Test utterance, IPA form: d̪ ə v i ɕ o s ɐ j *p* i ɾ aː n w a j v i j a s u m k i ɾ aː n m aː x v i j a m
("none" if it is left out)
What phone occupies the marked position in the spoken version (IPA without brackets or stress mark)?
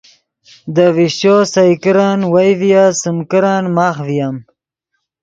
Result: k